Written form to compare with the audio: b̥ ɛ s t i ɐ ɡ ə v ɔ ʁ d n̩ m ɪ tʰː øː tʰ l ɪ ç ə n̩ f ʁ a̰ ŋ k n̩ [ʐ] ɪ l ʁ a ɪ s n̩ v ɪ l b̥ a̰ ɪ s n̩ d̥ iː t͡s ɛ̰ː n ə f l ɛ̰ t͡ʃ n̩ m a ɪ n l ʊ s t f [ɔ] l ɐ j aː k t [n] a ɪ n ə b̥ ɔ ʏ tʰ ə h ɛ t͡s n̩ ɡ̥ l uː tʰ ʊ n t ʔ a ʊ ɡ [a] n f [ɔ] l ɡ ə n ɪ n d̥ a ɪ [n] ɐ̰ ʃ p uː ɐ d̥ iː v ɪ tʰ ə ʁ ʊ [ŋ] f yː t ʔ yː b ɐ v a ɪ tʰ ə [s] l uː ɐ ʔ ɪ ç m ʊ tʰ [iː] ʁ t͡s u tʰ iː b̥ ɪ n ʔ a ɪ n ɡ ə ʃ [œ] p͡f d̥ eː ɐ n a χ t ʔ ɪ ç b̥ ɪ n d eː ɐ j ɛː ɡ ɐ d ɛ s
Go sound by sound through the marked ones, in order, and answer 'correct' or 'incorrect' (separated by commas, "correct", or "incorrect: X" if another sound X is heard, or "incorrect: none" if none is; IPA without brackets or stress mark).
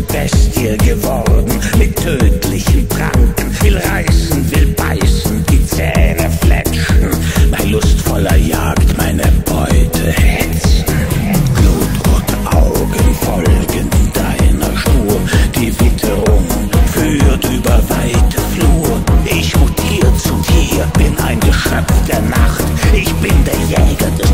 incorrect: v, correct, incorrect: m, incorrect: ə, correct, correct, correct, incorrect: f, correct, correct